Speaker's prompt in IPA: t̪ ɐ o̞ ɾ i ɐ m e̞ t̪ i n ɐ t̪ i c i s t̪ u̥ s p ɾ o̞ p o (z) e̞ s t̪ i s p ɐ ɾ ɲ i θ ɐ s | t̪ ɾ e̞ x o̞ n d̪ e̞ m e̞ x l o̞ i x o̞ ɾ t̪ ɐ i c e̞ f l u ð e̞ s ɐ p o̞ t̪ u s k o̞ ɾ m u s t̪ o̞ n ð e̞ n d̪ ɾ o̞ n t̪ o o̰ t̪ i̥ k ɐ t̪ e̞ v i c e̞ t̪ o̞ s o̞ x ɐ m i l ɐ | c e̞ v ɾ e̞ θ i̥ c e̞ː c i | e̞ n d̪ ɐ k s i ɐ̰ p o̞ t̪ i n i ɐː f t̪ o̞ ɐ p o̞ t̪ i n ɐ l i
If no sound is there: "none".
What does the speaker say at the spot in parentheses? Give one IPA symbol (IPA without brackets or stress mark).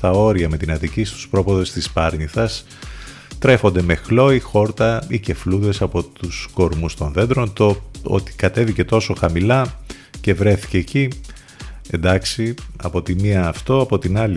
ð